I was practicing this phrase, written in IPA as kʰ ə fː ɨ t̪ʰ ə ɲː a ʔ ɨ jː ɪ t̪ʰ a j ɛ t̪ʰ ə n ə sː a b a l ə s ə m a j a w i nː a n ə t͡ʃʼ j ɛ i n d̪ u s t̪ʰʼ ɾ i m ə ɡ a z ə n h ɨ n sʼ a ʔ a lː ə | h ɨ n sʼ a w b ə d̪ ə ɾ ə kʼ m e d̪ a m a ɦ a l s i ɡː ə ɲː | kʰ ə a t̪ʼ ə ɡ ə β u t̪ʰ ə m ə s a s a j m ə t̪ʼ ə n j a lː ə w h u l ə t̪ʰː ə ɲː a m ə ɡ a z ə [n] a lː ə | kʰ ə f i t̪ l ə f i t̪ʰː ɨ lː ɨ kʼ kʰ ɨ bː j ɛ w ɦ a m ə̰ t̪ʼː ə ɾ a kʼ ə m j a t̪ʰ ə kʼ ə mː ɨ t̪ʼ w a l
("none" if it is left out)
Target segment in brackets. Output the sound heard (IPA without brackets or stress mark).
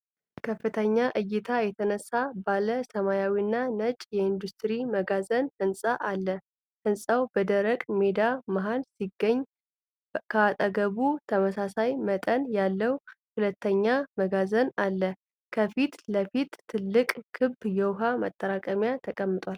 n